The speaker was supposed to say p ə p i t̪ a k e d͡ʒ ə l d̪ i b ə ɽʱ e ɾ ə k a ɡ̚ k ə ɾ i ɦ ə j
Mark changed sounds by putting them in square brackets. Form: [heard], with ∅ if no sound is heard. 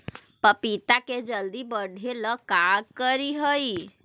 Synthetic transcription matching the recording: p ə p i t̪ a k e d͡ʒ ə l d̪ i b ə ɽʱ e [l] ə k a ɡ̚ k ə ɾ i ɦ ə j